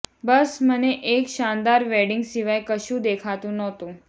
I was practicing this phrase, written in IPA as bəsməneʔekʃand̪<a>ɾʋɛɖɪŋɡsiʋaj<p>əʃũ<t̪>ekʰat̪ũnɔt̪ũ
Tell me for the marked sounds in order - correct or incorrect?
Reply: correct, incorrect, incorrect

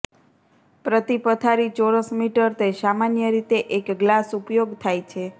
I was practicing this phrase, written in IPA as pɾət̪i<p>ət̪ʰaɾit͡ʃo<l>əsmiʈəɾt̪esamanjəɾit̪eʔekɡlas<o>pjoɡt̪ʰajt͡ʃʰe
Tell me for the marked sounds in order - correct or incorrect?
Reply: correct, incorrect, incorrect

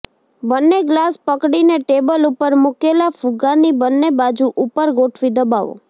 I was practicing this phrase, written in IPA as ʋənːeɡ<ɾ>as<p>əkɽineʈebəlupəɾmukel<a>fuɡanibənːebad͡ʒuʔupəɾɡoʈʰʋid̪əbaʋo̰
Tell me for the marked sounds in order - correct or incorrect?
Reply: incorrect, correct, correct

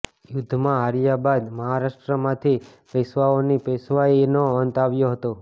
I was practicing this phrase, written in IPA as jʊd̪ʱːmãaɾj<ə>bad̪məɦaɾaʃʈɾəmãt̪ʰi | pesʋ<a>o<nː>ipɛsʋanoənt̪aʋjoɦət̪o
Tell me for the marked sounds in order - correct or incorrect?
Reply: incorrect, correct, incorrect

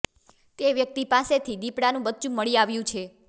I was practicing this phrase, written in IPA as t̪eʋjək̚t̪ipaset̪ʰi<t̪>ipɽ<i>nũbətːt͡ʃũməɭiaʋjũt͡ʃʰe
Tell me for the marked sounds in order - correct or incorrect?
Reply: incorrect, incorrect

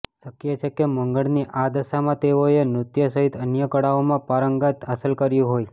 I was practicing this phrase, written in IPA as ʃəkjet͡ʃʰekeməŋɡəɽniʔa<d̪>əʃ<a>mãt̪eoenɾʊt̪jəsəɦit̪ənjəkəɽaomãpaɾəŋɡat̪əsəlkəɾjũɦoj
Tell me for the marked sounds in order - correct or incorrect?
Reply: correct, correct

